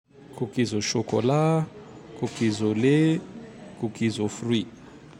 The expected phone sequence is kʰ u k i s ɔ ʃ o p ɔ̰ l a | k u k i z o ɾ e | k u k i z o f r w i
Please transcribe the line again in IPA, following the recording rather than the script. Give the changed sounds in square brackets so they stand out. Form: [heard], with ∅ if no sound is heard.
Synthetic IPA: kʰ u k i [z] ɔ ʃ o [k] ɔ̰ l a | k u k i z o [l] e | k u k i z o f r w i